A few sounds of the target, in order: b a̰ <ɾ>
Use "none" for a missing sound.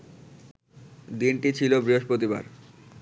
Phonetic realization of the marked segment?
ɾ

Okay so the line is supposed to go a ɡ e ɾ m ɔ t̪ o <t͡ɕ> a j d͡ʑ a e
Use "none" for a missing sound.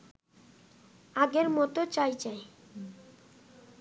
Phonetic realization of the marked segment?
t͡ɕ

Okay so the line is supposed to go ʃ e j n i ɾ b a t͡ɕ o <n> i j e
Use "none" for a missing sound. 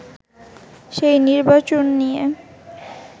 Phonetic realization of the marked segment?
nː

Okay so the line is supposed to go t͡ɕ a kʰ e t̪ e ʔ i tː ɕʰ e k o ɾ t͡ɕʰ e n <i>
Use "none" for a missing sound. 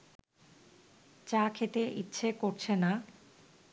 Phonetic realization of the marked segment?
a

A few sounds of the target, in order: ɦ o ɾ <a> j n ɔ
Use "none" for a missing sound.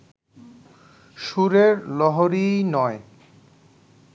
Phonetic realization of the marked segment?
i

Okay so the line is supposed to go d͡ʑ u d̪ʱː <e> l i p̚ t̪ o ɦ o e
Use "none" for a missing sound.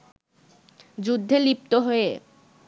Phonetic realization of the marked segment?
e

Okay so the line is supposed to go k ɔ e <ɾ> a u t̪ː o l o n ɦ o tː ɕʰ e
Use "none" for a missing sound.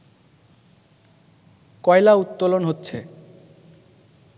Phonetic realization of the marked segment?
l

